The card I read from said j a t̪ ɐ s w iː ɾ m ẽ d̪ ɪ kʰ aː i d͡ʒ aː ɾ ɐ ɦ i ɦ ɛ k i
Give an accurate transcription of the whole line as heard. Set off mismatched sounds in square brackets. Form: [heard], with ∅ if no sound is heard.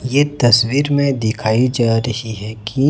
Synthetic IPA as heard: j [e] t̪ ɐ s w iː ɾ m ẽ d̪ ɪ kʰ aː i d͡ʒ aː ɾ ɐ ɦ i ɦ ɛ k i